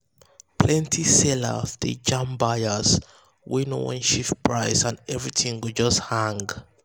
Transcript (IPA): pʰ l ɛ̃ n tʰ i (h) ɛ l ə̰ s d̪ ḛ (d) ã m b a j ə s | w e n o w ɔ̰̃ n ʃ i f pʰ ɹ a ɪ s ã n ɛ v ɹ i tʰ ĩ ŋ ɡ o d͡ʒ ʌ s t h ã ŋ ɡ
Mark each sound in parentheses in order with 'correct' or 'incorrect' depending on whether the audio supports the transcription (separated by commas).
incorrect, incorrect